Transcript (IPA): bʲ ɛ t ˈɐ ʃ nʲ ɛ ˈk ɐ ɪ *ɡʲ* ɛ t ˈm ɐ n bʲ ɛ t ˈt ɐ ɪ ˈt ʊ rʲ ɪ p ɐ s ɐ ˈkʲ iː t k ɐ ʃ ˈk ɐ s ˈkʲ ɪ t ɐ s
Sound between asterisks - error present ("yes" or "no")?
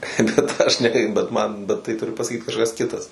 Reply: yes